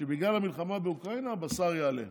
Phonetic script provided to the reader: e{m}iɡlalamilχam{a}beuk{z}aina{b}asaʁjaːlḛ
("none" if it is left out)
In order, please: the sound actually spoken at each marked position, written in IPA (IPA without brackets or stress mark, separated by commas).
b, a, ʁ, b